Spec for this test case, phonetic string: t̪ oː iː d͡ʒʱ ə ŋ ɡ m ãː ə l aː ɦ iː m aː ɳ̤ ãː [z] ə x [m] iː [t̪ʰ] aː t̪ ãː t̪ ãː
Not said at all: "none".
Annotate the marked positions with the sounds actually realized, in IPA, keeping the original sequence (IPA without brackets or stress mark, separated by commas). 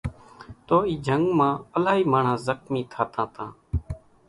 z, m, t̪ʰ